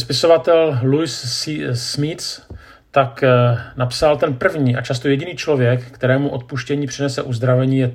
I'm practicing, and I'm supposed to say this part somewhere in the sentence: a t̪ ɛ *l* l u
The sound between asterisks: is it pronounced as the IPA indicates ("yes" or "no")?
yes